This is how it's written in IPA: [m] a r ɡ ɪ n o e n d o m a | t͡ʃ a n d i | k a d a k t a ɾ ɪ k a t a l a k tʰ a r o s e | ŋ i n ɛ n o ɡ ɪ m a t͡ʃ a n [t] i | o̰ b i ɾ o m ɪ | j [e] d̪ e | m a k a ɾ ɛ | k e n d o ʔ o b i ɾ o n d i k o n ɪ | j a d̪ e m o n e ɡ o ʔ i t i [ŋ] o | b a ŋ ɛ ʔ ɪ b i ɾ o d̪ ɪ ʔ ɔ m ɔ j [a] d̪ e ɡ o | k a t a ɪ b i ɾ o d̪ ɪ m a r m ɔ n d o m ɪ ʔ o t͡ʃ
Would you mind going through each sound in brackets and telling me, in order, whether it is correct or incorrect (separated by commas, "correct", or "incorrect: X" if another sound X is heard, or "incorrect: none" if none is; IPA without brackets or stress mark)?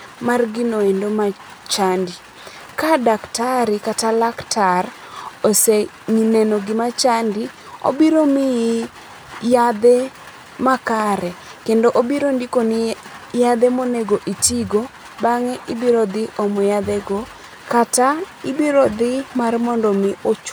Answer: correct, incorrect: d, incorrect: a, incorrect: ɡ, correct